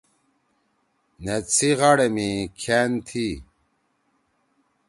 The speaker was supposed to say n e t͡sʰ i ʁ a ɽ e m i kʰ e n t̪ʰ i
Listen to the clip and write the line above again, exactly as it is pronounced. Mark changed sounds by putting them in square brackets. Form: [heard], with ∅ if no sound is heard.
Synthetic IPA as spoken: n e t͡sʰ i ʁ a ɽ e m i kʰ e n t̪ʰ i